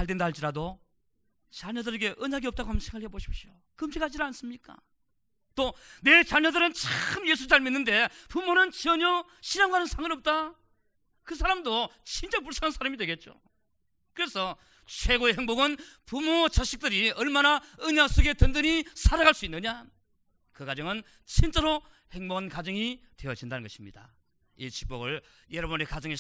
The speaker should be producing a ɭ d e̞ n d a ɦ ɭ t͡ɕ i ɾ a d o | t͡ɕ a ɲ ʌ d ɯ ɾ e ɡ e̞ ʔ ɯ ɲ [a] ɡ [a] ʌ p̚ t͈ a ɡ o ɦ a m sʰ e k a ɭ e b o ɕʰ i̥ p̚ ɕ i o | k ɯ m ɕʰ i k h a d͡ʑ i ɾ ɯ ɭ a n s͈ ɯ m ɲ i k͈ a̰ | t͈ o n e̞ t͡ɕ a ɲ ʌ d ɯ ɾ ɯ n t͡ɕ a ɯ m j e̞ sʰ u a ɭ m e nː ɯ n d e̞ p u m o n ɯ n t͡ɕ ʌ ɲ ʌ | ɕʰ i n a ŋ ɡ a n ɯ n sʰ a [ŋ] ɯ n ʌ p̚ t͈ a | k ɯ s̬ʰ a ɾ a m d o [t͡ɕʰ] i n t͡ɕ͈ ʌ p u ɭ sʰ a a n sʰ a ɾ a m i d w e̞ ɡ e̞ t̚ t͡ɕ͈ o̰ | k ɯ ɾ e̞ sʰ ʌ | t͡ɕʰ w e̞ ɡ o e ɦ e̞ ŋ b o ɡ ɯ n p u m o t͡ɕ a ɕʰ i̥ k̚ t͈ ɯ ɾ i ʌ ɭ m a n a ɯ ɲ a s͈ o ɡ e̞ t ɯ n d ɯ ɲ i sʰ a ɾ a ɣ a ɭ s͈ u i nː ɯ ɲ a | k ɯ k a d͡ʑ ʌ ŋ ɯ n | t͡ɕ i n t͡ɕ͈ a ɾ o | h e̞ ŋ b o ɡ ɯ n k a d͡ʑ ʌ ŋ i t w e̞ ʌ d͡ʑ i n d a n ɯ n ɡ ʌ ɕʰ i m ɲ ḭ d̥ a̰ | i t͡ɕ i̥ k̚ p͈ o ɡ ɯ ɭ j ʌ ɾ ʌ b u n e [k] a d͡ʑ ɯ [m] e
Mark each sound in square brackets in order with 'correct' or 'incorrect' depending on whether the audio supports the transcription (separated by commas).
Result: correct, incorrect, correct, incorrect, correct, incorrect